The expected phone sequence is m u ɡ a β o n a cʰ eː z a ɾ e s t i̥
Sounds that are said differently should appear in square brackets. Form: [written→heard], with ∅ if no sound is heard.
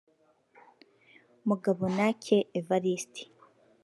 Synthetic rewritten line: m u ɡ a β o n a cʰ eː [z→v] a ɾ [e→i] s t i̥